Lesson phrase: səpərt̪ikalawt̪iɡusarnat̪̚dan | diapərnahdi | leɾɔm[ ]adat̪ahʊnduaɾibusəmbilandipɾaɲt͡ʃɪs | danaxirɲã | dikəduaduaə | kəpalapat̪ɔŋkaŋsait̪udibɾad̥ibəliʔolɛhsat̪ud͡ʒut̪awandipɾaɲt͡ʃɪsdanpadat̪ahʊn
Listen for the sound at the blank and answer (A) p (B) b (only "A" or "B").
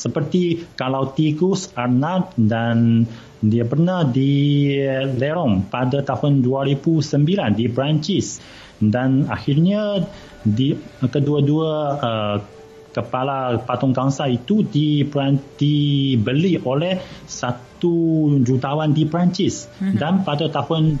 A